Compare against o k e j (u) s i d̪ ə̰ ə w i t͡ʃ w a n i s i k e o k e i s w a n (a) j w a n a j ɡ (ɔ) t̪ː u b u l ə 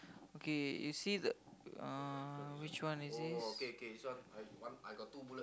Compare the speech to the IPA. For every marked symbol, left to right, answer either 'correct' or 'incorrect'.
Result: correct, correct, correct

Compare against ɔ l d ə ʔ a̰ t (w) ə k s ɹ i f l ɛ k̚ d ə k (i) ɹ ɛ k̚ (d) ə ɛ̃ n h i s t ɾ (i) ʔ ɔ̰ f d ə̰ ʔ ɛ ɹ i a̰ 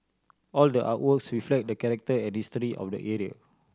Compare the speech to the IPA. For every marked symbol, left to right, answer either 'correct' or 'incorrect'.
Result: correct, incorrect: ɛ, incorrect: t, correct

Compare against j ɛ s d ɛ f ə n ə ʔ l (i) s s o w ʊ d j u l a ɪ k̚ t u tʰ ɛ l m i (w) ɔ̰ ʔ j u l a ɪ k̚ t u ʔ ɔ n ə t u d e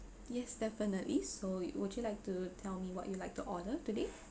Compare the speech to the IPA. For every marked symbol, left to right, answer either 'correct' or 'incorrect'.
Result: correct, correct

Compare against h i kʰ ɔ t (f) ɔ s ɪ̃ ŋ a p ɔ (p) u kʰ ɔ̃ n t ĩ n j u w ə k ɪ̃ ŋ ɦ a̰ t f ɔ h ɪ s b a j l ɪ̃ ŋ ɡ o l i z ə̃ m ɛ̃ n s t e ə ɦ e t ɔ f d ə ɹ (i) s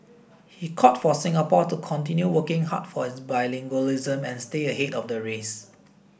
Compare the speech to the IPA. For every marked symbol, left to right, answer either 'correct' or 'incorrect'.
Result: correct, incorrect: t, incorrect: e

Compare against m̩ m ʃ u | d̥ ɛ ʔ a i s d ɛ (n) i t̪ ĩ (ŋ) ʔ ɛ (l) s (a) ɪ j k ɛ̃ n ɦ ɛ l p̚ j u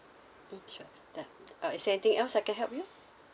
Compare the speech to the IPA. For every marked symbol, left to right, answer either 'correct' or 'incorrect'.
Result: correct, correct, correct, correct

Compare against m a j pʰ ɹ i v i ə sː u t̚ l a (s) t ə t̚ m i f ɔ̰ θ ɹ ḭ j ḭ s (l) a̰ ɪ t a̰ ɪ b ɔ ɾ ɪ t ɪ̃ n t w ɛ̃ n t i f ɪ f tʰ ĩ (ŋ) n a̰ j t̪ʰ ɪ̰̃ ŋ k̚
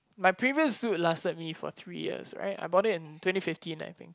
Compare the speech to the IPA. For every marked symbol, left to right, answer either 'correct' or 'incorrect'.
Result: correct, incorrect: ɹ, incorrect: none

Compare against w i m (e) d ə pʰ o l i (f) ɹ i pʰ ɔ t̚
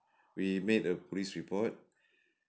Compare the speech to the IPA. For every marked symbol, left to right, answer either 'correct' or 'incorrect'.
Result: correct, incorrect: s

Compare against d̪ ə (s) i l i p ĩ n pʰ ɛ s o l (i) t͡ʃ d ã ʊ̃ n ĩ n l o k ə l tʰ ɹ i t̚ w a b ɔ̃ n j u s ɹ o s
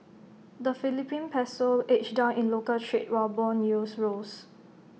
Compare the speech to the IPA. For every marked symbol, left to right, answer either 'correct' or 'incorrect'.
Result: incorrect: f, incorrect: e

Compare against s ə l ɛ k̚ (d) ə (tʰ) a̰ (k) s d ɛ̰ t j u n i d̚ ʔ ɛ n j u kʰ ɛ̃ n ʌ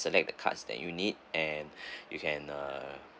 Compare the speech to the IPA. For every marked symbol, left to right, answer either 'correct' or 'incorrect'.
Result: correct, incorrect: kʰ, incorrect: t

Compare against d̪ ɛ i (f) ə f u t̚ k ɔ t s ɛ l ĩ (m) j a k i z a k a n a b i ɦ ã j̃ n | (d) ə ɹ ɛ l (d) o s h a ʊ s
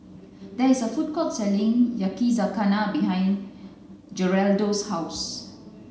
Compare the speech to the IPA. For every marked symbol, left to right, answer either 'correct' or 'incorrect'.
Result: incorrect: s, incorrect: ŋ, incorrect: d͡ʒ, correct

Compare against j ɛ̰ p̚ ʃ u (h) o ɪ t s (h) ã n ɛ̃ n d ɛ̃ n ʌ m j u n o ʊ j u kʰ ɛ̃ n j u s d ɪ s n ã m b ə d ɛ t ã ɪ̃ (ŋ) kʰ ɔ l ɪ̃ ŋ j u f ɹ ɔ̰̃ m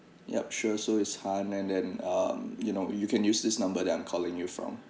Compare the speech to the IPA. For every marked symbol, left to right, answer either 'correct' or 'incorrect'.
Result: incorrect: s, correct, incorrect: m

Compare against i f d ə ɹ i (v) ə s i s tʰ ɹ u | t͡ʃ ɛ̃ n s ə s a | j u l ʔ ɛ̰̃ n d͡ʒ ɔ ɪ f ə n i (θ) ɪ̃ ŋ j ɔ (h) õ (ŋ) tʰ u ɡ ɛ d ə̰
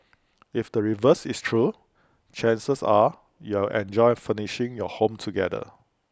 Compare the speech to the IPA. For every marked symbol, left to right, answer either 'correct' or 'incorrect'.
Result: correct, incorrect: ʃ, correct, incorrect: m

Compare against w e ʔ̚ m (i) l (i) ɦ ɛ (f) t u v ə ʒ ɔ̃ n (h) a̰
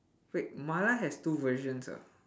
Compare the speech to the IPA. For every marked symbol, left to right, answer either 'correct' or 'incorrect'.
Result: incorrect: a, incorrect: a, incorrect: s, incorrect: s

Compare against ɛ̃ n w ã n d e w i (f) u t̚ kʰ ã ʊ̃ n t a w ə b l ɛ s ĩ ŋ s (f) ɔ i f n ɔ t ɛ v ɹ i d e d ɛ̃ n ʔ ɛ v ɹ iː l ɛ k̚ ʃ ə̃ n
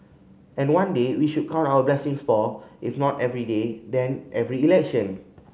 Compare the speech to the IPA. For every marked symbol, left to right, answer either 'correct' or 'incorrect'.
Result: incorrect: ʃ, correct

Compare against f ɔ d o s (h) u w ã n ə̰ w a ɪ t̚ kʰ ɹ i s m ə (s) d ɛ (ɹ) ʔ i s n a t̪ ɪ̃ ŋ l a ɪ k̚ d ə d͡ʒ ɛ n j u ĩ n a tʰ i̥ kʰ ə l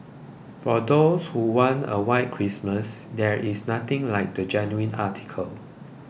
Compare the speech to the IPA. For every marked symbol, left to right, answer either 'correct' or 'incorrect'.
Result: correct, correct, correct

